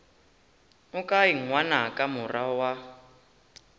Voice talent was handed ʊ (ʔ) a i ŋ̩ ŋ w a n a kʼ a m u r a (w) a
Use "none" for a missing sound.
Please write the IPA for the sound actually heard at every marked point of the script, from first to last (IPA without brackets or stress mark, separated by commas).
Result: k, w